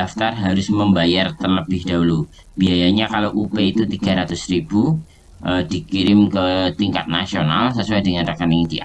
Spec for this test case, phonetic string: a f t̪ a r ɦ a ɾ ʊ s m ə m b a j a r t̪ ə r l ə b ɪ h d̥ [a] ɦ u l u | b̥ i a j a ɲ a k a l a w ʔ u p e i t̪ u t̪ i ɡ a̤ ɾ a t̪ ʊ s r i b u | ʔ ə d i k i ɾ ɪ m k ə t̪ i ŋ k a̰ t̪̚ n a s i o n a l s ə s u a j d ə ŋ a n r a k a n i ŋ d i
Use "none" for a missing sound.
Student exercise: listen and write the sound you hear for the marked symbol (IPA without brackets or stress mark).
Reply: a